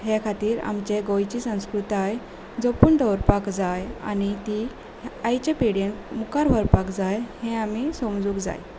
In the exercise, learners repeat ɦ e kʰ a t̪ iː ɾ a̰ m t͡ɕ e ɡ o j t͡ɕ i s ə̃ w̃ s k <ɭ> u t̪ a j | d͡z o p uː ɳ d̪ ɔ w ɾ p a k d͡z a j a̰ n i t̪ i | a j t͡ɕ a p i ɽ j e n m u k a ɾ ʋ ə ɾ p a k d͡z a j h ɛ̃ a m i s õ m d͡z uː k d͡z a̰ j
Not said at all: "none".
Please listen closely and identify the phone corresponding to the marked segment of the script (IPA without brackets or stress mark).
ɾ